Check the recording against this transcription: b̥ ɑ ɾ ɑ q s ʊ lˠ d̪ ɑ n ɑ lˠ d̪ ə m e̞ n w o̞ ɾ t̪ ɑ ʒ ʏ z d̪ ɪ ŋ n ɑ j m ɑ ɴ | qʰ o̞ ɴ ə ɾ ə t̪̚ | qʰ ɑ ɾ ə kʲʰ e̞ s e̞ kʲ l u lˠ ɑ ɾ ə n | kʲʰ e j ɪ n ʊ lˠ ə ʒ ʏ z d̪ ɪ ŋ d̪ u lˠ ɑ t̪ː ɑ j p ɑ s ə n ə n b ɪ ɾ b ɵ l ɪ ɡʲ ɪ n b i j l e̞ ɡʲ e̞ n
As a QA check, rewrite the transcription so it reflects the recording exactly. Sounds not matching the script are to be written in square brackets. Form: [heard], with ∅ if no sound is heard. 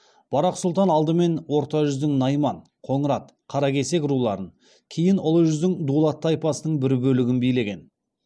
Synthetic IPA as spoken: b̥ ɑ ɾ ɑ q s ʊ lˠ [t̪] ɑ n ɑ lˠ d̪ ə m e̞ n w o̞ ɾ t̪ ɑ ʒ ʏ z d̪ ɪ ŋ n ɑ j m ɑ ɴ | qʰ o̞ ɴ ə ɾ [ɑ] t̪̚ | qʰ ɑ ɾ [ɑ] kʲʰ e̞ s e̞ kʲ [ɾ] u lˠ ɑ ɾ ə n | kʲʰ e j ɪ n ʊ lˠ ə ʒ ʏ z d̪ ɪ ŋ d̪ u lˠ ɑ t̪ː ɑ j p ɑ s ə n ə [ɴ] b ɪ ɾ b ɵ l ɪ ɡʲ ɪ n b i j l e̞ ɡʲ e̞ n